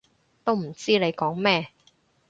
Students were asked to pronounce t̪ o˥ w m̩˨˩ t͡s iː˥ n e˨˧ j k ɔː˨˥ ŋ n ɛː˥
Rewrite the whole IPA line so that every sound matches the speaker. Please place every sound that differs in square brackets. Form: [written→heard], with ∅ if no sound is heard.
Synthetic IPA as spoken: t̪ o˥ w m̩˨˩ t͡s iː˥ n e˨˧ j k ɔː˨˥ ŋ [n→m] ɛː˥